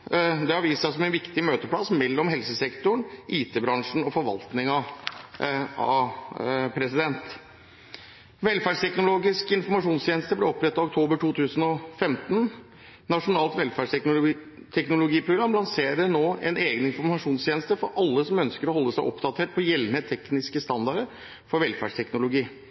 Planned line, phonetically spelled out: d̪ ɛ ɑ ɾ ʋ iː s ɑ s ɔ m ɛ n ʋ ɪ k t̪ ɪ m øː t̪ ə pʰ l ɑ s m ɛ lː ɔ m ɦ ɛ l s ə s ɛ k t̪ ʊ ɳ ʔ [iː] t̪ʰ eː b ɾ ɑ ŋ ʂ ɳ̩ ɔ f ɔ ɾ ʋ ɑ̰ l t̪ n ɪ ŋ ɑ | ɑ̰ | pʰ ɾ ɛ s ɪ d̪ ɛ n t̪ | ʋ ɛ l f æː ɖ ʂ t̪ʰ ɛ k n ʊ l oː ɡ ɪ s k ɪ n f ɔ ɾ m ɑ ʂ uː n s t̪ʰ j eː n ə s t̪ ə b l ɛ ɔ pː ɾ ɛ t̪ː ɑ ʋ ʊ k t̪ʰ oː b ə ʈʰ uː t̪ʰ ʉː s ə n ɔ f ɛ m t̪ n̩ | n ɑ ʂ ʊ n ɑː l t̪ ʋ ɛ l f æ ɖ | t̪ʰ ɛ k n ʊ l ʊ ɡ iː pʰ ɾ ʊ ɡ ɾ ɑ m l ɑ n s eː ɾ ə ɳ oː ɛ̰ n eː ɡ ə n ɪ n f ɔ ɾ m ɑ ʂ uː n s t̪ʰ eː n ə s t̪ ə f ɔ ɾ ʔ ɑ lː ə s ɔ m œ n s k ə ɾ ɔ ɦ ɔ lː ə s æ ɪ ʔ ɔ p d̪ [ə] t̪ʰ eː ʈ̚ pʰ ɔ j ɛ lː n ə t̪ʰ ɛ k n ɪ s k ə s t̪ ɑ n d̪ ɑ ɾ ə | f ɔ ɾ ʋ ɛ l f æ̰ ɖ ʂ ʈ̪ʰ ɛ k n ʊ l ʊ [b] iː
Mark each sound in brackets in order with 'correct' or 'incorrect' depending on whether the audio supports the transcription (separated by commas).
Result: correct, incorrect, incorrect